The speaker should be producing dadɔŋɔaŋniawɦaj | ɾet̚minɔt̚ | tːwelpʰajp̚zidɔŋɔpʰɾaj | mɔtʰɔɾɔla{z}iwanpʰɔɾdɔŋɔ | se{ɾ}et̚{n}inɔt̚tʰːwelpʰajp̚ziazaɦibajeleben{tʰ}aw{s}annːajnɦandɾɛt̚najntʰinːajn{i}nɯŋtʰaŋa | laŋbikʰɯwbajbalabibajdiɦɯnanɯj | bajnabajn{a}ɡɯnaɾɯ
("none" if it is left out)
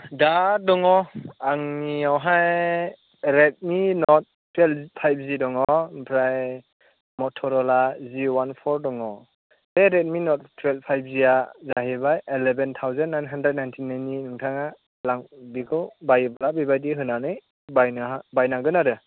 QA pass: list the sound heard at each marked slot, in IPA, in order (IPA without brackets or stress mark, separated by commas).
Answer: z, ɾ, m, tʰ, z, i, a